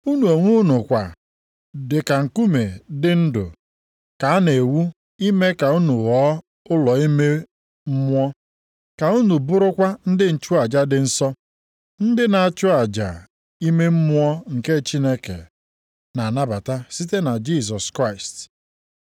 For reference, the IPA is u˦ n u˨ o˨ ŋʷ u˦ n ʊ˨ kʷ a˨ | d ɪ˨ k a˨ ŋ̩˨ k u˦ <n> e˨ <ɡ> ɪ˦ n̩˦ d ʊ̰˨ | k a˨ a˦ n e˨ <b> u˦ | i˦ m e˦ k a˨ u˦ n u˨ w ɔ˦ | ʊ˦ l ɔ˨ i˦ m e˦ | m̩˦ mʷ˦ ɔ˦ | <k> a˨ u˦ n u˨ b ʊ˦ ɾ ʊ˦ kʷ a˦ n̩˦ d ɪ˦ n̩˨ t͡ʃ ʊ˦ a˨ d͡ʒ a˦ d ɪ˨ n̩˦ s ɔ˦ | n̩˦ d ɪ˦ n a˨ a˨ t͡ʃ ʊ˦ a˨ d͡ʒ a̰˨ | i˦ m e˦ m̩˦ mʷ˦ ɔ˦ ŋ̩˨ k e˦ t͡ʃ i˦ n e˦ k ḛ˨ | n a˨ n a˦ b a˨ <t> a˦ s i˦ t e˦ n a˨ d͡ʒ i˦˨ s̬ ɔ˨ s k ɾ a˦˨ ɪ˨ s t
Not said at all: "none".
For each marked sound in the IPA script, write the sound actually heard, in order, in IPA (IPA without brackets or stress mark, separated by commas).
m, d, w, k, t